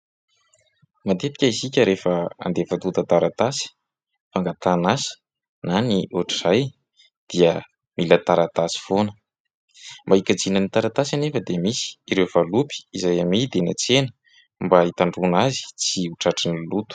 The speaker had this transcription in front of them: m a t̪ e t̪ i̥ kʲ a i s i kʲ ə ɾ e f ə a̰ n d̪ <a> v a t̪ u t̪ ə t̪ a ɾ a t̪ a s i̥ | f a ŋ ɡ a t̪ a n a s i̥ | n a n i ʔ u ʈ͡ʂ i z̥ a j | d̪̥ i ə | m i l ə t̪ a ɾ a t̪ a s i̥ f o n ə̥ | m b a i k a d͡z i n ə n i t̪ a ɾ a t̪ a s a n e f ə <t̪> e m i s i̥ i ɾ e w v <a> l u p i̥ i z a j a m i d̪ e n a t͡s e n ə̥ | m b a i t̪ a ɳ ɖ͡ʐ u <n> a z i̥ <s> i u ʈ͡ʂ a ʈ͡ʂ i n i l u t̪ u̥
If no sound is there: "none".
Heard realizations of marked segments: e, d̪, a, n, t͡s

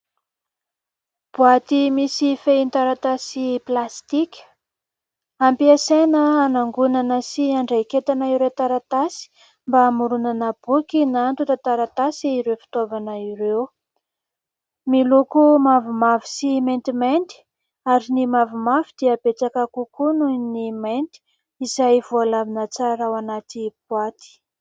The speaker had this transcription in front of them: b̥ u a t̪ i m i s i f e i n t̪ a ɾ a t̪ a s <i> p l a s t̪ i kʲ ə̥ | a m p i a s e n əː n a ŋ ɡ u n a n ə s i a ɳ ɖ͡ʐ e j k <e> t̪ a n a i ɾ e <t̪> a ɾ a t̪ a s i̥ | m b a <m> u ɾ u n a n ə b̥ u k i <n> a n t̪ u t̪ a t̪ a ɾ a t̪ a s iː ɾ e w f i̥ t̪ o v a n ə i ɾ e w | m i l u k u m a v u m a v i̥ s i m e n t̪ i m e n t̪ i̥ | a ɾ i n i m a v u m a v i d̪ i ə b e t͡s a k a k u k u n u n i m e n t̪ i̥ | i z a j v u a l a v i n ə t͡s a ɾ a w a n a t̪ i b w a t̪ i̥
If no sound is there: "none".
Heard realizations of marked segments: i, e, t̪, m, n

